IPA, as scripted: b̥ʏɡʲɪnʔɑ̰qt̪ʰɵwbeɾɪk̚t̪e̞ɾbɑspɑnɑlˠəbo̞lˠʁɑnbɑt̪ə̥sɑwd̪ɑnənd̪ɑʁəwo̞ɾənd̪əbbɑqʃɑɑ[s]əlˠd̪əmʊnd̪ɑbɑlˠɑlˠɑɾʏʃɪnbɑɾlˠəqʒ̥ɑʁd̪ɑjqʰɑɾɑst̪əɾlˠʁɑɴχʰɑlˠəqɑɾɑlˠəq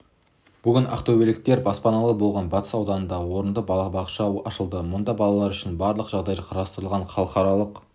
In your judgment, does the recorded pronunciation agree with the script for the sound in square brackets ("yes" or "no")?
no